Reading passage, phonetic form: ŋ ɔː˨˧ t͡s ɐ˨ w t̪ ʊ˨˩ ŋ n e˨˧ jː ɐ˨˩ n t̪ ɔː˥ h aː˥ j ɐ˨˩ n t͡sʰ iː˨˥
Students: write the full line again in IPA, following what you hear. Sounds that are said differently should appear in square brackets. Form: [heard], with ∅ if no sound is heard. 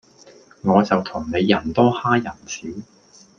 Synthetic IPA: ŋ ɔː˨˧ t͡s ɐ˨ w [t̪ʰ] ʊ˨˩ ŋ n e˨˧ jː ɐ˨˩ n t̪ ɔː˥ h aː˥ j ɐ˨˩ n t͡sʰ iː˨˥